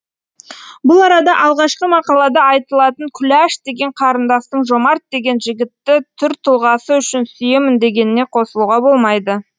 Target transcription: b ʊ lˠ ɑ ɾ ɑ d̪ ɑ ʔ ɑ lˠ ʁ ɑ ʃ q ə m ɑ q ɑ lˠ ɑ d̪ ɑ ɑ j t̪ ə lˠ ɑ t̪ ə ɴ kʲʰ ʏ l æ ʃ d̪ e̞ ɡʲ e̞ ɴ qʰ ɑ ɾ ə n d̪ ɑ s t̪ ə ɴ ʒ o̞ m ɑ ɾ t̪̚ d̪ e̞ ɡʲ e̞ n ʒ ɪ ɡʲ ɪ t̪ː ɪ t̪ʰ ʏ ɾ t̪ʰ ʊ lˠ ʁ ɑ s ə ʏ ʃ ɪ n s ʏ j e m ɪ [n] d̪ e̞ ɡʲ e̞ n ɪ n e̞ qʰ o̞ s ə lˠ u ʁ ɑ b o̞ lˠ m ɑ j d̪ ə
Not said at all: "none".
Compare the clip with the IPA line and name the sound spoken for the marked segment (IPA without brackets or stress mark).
n